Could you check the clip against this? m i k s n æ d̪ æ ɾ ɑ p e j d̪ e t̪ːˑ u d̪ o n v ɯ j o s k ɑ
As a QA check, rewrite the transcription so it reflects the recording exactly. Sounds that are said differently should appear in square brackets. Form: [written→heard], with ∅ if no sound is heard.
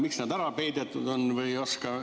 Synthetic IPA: m i k s n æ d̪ æ ɾ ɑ p e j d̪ e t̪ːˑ u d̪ o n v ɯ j o s k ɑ

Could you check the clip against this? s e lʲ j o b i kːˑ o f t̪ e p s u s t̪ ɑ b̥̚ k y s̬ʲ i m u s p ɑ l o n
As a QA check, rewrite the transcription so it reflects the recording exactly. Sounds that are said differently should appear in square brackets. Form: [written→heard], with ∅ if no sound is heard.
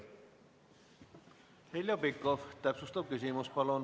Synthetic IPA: [s→h] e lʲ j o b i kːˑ o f t̪ [e→æ] p s u s t̪ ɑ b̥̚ k y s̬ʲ i m u s p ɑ l o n

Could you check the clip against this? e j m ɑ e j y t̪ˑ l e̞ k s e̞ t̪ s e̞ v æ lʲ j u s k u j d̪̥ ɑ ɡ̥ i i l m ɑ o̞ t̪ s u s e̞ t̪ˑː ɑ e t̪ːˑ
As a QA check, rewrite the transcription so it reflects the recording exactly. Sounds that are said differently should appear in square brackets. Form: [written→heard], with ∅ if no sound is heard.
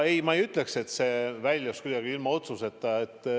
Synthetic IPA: e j m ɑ e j y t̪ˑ l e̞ k s e̞ t̪ s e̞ v æ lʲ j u s k u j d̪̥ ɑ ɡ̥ i i l m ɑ o̞ t̪ s u s e̞ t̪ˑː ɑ e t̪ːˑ

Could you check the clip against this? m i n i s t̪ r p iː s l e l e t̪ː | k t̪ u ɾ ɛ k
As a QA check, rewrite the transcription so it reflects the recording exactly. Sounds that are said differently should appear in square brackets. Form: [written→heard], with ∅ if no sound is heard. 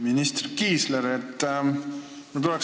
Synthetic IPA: m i n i s t̪ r [p→k] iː s l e [l→ɾ] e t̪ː | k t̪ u [ɾ→l] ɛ k

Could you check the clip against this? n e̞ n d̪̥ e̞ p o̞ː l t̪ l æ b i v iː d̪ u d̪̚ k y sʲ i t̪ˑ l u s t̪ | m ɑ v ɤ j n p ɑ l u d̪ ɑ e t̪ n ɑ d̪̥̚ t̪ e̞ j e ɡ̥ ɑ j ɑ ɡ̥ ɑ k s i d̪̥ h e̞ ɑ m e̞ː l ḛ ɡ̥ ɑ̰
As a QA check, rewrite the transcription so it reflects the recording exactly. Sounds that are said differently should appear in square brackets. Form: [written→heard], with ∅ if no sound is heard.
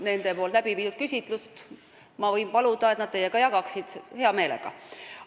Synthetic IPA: n e̞ n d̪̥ e̞ p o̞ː l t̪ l æ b i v iː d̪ u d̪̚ k y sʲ i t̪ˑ l u s t̪ | m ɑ v ɤ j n p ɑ l u d̪ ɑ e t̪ n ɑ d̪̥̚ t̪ e̞ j e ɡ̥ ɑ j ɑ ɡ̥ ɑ k s i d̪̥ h e̞ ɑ m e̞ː l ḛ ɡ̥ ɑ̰

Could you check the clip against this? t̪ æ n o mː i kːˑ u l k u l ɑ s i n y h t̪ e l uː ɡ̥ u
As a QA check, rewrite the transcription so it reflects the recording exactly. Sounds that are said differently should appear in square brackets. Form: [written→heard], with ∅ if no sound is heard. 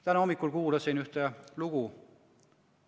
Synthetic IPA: t̪ æ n o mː i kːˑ u l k [u→uː] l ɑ s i n y h t̪ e l [uː→u] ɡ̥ u

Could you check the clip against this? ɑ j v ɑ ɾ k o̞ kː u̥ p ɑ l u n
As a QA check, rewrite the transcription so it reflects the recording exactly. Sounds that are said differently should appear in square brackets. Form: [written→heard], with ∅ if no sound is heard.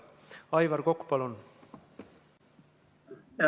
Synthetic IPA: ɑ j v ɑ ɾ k o̞ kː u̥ p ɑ l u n

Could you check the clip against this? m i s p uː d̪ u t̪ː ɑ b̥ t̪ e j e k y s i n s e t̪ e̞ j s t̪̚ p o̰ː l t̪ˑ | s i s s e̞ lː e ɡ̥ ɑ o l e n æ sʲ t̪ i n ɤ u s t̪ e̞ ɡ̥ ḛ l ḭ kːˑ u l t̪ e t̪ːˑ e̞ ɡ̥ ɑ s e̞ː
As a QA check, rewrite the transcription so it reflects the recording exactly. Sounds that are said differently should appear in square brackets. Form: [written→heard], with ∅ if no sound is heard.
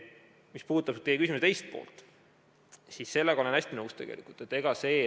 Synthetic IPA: m i s p uː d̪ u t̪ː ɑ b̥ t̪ e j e k y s i [n→m] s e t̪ e̞ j s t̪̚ p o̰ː l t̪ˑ | s i s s e̞ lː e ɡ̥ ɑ o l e n æ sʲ t̪ i n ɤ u s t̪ e̞ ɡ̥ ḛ l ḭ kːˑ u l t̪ e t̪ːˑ e̞ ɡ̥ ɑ s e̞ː

